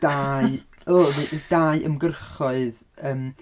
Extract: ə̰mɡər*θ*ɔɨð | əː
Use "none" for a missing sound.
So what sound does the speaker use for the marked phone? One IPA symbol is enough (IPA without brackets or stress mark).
χ